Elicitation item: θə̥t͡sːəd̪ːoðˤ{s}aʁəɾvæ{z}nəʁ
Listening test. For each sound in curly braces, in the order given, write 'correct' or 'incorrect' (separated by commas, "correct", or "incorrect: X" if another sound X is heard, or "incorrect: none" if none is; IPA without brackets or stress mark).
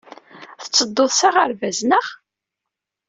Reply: correct, correct